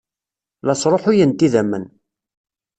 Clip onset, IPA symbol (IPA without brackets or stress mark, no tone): l